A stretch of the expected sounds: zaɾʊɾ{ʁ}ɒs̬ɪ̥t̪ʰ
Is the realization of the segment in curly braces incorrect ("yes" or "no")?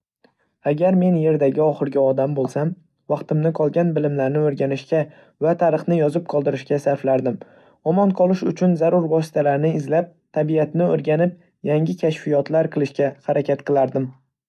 yes